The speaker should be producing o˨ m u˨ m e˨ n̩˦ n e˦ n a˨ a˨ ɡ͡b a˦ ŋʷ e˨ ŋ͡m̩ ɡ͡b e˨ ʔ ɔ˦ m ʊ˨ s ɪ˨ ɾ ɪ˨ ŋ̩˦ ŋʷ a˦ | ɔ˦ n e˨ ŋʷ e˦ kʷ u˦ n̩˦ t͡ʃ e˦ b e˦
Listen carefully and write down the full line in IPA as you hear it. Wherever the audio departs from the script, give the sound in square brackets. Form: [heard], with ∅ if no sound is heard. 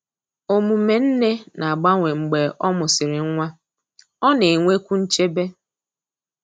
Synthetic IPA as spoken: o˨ m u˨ m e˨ n̩˦ n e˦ n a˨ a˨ ɡ͡b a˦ ŋʷ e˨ ŋ͡m̩ ɡ͡b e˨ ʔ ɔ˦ m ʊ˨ s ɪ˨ ɾ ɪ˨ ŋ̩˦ ŋʷ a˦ | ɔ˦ n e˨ ŋʷ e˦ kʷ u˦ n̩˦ t͡ʃ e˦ b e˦